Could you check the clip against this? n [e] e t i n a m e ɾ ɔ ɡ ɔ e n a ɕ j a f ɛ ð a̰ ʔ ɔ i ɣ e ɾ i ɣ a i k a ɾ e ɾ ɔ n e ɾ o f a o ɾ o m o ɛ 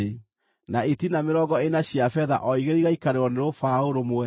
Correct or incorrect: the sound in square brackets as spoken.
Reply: incorrect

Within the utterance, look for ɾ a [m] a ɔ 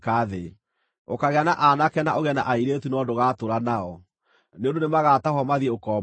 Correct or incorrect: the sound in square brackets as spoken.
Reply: incorrect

